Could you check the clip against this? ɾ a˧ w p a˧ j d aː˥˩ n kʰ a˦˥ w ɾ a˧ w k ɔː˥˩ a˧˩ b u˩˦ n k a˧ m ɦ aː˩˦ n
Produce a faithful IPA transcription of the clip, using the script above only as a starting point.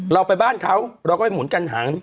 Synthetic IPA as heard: ɾ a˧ w p a˧ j b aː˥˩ n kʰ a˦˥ w ɾ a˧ w k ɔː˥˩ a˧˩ m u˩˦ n k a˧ n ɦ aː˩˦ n